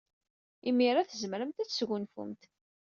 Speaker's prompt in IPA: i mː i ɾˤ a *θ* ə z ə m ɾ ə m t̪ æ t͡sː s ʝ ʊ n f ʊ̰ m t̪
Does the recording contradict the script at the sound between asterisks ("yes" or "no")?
no